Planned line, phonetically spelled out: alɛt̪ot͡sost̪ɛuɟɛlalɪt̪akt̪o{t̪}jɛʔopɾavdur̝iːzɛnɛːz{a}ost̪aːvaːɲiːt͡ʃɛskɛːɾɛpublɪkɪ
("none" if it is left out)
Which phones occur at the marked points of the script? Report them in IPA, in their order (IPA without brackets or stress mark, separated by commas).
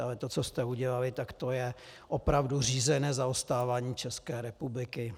none, a